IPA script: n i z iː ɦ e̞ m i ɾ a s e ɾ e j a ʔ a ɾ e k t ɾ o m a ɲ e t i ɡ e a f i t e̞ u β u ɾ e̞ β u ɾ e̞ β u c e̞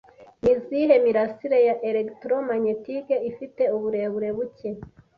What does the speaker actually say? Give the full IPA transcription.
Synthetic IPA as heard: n i z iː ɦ e̞ m i ɾ a s i ɾ e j a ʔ e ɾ e k t ɾ o m a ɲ e t i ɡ e i f i t e̞ u β u ɾ e̞ β u ɾ e̞ β u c e̞